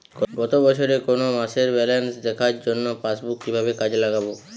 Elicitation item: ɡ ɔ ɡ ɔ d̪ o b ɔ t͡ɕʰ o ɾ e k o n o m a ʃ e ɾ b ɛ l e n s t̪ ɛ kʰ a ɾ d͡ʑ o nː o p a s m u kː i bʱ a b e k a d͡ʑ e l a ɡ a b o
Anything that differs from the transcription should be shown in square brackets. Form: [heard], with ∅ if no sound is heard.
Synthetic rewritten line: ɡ ɔ ɡ ɔ [t̪] o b ɔ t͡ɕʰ o ɾ e k o n o m a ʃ e ɾ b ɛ l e n s [d̪] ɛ kʰ a ɾ d͡ʑ o nː o p a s [b] u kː i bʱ a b e k a d͡ʑ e l a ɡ a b o